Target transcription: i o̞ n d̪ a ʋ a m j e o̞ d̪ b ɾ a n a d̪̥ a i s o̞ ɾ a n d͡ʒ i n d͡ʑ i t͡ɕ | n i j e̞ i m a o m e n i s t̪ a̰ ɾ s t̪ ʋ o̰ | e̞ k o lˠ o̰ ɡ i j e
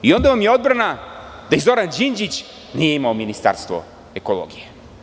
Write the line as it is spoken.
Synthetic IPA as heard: i o̞ n d̪ a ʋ a m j e o̞ d̪ b ɾ a n a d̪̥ a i z o̞ ɾ a n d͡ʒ i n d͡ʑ i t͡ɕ | n i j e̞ i m a o m i n i s t̪ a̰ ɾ s t̪ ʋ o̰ | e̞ k o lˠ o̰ ɡ i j e